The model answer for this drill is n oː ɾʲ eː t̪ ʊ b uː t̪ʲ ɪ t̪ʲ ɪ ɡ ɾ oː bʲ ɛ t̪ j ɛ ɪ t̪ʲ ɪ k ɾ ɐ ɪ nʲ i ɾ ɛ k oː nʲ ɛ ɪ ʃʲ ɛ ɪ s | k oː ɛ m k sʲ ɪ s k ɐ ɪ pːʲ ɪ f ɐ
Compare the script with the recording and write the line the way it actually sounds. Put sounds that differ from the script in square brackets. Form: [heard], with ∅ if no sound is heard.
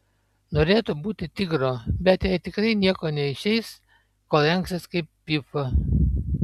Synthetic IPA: n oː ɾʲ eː t̪ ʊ b uː t̪ʲ ɪ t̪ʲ ɪ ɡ ɾ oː bʲ ɛ t̪ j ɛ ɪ t̪ʲ ɪ k ɾ ɐ ɪ nʲ i [∅] ɛ k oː nʲ ɛ ɪ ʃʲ ɛ ɪ s | k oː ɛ [ŋ] k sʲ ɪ s k ɐ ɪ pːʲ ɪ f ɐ